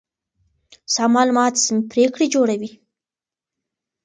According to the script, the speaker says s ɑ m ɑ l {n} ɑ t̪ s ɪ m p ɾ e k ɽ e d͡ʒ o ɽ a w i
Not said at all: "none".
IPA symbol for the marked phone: m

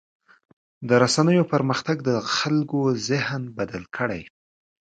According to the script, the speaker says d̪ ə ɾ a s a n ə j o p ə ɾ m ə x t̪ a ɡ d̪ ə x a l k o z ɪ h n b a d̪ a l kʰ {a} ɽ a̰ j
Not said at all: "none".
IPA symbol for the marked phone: ə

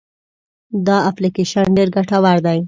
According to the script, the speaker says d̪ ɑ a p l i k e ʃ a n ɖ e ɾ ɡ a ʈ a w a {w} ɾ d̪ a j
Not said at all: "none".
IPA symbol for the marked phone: none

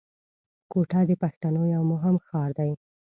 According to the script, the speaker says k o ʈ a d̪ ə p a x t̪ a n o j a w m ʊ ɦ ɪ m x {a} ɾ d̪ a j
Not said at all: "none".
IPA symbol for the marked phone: ɑ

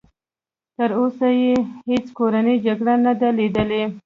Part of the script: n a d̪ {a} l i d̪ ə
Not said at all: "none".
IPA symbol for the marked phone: a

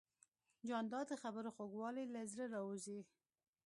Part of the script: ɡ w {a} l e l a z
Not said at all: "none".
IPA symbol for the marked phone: ɑ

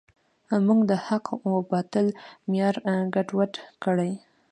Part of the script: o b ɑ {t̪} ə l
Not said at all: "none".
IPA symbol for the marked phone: t̪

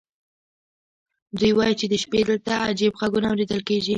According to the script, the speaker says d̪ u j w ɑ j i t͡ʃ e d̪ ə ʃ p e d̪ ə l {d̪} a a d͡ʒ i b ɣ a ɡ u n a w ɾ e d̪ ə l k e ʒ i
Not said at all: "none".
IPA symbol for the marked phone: t̪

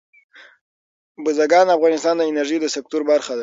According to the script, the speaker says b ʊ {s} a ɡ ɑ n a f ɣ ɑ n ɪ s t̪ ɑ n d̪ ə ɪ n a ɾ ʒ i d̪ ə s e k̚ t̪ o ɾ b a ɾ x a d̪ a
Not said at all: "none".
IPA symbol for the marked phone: z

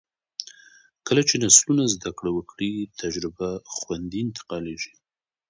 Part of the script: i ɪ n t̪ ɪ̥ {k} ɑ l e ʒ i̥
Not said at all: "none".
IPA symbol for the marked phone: q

